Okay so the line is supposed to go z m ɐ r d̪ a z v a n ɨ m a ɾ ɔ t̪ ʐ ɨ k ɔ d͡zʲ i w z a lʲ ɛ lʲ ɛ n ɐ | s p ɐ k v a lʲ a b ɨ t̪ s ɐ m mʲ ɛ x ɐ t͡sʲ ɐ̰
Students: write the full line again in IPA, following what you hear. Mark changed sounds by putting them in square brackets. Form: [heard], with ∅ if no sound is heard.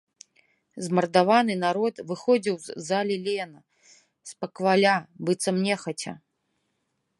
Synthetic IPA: z m ɐ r d̪ a [∅] v a n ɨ [n] a ɾ ɔ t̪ [v] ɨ [x] ɔ d͡zʲ i w z a lʲ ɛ lʲ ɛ n ɐ | s p ɐ k v a lʲ a b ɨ t̪ s ɐ m [nʲ] ɛ x ɐ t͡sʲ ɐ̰